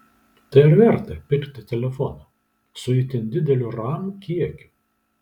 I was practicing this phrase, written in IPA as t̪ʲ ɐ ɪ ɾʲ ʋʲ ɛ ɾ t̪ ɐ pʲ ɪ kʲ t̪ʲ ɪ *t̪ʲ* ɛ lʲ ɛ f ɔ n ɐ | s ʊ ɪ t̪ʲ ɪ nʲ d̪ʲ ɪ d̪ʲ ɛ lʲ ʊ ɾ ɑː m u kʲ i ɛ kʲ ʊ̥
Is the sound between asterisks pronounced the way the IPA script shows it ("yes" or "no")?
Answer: yes